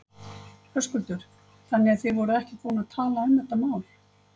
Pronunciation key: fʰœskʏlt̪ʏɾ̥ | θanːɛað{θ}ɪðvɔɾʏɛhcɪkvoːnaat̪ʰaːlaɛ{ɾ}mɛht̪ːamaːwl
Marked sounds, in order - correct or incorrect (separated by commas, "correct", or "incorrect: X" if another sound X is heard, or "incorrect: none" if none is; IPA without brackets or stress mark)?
correct, incorrect: none